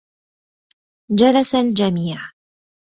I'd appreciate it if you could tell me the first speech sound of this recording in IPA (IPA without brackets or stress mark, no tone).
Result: d͡ʒ